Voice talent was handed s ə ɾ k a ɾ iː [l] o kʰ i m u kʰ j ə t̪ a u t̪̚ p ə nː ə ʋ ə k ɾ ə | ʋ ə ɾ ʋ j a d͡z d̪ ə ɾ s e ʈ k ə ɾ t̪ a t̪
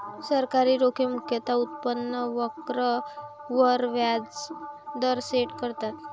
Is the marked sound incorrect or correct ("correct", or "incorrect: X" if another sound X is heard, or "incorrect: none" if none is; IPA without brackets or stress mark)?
incorrect: ɾ